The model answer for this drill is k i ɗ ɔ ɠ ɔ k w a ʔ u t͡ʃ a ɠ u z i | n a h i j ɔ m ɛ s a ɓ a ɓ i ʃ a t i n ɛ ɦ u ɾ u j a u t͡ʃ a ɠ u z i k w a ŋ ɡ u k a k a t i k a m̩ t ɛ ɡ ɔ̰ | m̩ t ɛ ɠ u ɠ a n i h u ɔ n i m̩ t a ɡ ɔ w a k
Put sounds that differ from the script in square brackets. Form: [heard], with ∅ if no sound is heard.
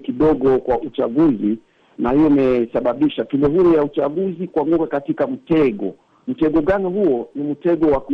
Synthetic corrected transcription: k i ɗ ɔ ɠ ɔ k w a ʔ u t͡ʃ a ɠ u z i | n a h i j ɔ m ɛ s a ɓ a ɓ i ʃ a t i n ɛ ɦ u ɾ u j a u t͡ʃ a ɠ u z i k w a ŋ ɡ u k a k a t i k a m̩ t ɛ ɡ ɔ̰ | m̩ t ɛ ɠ [ɔ] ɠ a n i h u ɔ n i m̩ t [ɛ] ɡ ɔ w a k